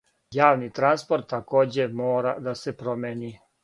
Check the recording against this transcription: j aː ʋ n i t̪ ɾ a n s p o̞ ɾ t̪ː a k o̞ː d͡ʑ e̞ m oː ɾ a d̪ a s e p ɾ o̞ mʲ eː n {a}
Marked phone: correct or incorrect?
incorrect